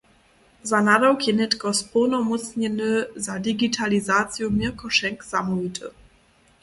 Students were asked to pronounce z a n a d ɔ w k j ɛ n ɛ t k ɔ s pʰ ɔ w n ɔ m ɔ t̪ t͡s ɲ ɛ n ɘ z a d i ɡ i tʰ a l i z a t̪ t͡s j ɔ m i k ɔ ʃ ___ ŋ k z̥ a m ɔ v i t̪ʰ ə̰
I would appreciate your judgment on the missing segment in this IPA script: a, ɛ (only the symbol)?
ɛ